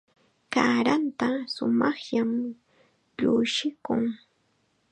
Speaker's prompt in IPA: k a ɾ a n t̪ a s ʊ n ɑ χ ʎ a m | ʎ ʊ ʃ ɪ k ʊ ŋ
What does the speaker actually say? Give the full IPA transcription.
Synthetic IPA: k a ɾ a n t̪ a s ʊ m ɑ χ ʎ a m | ʎ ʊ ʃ ɪ k ʊ ŋ